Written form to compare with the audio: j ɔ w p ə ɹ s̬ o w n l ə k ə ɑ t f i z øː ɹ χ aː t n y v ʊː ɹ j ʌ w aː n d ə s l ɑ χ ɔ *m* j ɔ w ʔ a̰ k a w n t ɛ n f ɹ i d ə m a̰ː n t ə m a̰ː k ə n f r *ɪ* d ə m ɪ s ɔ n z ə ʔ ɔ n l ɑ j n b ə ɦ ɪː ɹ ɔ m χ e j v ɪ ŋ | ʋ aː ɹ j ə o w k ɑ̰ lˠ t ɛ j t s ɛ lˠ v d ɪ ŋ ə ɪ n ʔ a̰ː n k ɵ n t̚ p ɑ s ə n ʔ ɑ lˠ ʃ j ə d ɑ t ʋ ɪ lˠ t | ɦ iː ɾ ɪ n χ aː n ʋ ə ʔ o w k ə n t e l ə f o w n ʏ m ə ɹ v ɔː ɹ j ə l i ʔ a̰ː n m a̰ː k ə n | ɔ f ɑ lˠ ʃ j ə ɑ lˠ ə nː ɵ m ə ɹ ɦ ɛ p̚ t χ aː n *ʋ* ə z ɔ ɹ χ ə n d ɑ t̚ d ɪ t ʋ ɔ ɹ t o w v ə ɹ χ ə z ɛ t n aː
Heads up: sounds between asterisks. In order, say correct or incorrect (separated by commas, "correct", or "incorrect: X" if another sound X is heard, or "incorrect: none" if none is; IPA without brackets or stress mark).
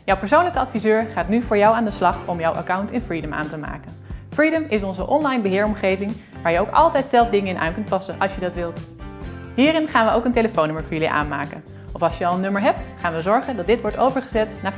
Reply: correct, incorrect: i, correct